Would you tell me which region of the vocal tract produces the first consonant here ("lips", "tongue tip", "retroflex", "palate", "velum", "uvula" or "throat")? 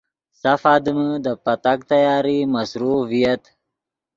tongue tip